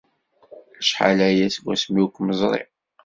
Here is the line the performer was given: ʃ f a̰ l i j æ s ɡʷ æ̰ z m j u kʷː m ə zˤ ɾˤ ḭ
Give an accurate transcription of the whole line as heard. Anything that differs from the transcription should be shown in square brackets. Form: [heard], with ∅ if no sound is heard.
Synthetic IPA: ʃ [ħ] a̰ l [æ] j æ s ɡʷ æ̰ [s] m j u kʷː m ə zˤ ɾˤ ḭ